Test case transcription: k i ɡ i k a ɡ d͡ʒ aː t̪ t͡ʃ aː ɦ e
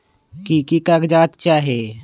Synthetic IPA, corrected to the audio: k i k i k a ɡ d͡ʒ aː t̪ t͡ʃ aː ɦ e